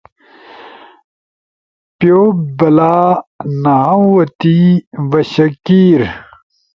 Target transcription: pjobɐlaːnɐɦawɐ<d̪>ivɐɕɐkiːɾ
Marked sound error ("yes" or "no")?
yes